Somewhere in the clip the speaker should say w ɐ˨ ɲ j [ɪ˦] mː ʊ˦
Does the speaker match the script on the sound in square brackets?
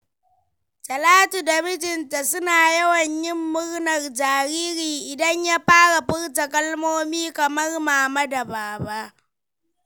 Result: yes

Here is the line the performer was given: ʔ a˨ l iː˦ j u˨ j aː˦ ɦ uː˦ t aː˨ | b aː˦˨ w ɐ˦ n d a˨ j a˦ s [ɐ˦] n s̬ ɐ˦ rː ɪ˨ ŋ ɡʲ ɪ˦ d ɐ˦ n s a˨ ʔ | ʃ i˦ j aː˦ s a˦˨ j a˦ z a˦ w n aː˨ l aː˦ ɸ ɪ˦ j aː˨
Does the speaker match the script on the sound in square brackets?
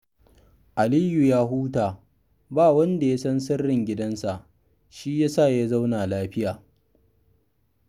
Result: yes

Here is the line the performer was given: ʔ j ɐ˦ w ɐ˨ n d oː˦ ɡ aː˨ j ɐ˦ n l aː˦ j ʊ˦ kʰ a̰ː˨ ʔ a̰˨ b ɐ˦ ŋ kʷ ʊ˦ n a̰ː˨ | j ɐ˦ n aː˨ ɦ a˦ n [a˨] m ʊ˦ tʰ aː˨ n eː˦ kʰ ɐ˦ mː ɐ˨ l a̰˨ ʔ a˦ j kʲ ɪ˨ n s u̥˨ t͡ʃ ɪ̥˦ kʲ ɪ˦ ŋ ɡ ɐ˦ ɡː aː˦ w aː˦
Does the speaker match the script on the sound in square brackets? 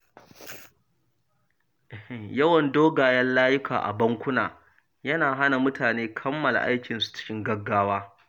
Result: yes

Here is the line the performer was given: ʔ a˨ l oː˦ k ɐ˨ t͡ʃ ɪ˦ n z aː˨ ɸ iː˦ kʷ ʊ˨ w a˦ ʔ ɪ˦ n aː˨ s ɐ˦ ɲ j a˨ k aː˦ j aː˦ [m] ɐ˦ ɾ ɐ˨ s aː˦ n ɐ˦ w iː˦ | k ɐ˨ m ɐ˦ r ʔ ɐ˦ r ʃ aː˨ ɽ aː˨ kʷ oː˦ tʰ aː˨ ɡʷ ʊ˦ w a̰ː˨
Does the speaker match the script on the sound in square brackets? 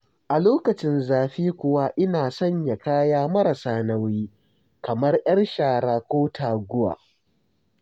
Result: yes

